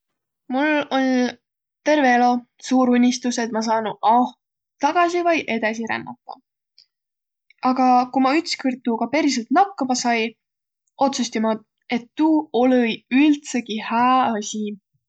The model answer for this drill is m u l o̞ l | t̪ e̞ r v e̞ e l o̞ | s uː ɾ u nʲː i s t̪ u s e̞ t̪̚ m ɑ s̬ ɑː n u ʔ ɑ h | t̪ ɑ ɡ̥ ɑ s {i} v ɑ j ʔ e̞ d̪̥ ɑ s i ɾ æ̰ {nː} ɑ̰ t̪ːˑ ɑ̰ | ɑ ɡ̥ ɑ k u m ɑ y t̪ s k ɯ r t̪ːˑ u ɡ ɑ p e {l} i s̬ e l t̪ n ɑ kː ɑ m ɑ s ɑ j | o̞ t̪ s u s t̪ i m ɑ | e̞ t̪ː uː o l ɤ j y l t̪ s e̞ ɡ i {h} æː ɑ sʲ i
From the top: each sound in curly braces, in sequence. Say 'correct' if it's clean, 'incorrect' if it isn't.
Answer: correct, correct, incorrect: ɾ, correct

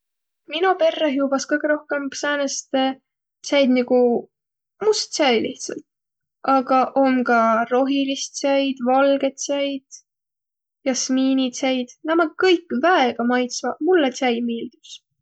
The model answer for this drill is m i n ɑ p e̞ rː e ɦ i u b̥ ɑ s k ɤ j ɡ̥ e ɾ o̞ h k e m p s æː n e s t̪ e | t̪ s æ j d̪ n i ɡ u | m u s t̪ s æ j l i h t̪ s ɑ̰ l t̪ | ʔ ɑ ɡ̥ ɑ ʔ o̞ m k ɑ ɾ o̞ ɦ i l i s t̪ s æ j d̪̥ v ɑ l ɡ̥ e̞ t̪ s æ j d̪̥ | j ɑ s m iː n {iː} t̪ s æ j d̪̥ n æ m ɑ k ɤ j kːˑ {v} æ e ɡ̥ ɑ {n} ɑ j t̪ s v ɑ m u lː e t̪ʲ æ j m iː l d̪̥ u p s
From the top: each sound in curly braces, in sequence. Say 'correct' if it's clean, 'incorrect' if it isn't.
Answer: incorrect: i, correct, incorrect: m

